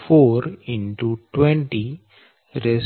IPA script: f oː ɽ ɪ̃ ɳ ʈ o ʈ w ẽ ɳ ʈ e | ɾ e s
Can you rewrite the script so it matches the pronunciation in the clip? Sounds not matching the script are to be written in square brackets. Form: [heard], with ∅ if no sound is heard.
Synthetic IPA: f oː [ɾ] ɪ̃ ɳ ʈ [u] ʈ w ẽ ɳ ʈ [i] | ɾ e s